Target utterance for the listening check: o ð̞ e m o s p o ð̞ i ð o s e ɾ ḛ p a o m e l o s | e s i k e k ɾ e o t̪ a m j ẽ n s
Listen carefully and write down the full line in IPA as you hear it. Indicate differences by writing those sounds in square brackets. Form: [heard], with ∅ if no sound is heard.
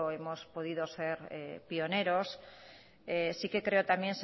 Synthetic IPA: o [∅] e m o s p o ð̞ i ð o s e ɾ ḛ p [i] o [n] e [ɾ] o s | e s i k e k ɾ e o t̪ a m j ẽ n s